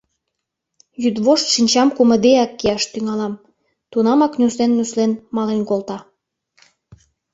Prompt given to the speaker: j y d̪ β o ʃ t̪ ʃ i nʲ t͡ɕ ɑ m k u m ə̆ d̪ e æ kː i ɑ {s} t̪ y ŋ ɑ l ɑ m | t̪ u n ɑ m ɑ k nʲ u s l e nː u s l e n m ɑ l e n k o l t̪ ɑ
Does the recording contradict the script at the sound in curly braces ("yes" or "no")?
yes